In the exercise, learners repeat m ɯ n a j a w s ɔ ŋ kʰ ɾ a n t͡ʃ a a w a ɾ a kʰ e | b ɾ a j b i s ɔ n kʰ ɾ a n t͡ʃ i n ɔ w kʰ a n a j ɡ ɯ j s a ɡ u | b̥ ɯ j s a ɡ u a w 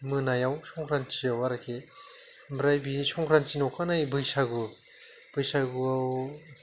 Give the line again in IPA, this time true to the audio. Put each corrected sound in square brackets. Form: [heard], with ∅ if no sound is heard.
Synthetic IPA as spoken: m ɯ n a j a w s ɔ ŋ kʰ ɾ a n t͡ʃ [i] a w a ɾ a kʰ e | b ɾ a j b i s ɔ [ŋ] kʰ ɾ a n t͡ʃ i n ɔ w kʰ a n a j [b] ɯ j s a ɡ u | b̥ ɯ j s a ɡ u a w

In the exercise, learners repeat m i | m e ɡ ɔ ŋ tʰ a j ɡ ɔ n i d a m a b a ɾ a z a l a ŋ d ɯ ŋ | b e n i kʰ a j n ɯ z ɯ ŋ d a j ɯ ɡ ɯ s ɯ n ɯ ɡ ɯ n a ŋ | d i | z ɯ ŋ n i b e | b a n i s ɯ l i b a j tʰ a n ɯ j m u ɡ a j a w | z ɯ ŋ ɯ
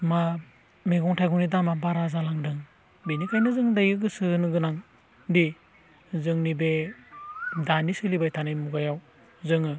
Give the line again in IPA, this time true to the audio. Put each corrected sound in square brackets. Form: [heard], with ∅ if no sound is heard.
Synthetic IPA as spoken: m [a] | m e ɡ ɔ ŋ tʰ a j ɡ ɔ n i d a m a b a ɾ a z a l a ŋ d ɯ ŋ | b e n i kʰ a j n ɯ z ɯ ŋ d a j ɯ ɡ ɯ s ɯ n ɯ ɡ ɯ n a ŋ | d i | z ɯ ŋ n i b e | [d] a n i s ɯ l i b a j tʰ a n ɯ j m u ɡ a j a w | z ɯ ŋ ɯ

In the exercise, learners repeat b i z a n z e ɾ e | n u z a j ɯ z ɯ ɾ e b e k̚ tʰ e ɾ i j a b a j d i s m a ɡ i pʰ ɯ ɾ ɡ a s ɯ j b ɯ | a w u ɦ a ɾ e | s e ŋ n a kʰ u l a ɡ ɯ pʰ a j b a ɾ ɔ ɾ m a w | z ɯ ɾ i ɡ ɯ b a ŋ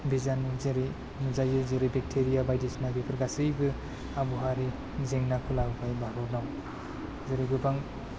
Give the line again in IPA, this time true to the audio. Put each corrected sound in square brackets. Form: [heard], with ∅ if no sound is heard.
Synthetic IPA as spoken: b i z a n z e ɾ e | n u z a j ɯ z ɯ ɾ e b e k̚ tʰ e ɾ i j a b a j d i s m a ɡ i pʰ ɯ ɾ ɡ a s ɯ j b ɯ | a [b] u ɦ a ɾ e | [z] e ŋ n a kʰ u l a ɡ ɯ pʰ a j b a ɾ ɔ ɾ [n] a w | z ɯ ɾ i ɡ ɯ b a ŋ

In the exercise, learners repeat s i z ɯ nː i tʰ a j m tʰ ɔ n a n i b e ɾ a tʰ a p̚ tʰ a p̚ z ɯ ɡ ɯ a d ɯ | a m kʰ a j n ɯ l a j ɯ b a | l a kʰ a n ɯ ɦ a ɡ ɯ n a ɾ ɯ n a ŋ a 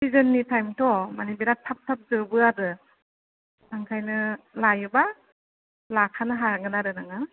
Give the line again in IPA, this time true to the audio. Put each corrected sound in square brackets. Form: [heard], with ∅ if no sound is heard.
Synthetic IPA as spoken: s i z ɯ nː i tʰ a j m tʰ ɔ [m] a n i b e ɾ a tʰ a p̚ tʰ a p̚ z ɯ [b] ɯ a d ɯ | a [ŋ] kʰ a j n ɯ l a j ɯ b a | l a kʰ a n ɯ ɦ a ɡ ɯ n a ɾ ɯ n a ŋ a

